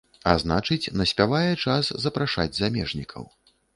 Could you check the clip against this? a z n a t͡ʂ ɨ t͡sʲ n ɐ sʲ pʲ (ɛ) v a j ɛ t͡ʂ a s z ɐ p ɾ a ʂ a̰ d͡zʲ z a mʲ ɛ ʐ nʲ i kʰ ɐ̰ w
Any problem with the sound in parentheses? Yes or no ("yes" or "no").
yes